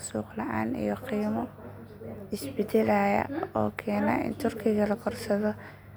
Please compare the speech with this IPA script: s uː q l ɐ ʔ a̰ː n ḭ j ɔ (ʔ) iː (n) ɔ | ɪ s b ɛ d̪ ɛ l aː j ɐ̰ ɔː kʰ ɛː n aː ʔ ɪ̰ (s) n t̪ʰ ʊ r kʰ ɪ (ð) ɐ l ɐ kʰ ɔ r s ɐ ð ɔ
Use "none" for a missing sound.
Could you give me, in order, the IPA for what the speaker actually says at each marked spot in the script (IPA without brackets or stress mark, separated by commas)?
q, m, none, ɣ